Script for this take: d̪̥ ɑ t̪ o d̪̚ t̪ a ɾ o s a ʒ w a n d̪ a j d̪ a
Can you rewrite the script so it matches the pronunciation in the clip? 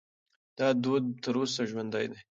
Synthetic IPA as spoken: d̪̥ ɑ d̪ o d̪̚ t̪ ə ɾ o s a ʒ w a n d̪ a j d̪ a